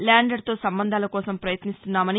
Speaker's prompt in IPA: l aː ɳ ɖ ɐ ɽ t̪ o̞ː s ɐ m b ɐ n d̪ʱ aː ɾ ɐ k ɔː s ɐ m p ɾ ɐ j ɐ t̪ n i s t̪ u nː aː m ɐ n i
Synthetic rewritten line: l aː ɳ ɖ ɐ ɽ t̪ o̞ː s ɐ m b ɐ n d̪ʱ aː l ɐ k ɔː s ɐ m p ɾ ɐ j ɐ t̪ n i s t̪ u nː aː m ɐ n i